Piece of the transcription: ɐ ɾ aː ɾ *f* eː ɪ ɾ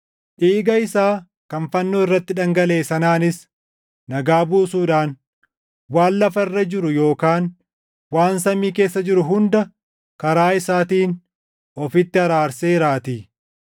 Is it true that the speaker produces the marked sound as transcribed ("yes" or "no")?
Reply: no